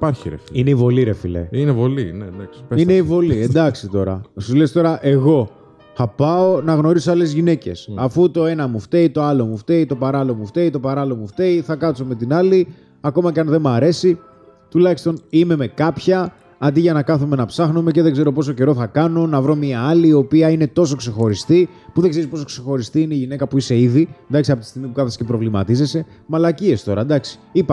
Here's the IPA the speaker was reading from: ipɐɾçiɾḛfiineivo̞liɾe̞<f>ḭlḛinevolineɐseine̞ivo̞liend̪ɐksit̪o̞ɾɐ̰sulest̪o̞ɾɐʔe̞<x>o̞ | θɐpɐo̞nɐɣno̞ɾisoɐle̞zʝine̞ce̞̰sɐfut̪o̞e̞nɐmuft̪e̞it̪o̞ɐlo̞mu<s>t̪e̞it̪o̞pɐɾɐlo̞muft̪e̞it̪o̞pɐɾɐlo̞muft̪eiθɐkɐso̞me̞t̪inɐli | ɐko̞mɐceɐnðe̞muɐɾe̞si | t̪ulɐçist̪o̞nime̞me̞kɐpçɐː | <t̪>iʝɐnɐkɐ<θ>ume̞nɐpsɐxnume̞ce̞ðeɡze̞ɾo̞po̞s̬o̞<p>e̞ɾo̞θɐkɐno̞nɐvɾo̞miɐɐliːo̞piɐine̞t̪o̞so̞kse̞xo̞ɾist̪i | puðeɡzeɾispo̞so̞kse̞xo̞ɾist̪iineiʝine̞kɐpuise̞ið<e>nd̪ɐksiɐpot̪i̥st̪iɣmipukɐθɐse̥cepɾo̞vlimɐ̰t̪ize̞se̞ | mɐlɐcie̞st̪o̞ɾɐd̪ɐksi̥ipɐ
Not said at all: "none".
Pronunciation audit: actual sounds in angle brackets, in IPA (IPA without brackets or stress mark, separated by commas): f, ɣ, f, d̪, θ, c, i